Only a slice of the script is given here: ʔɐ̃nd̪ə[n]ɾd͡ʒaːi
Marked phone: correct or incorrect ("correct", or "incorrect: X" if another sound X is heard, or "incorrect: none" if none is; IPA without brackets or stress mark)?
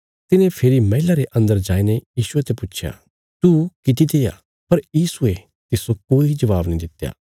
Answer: incorrect: none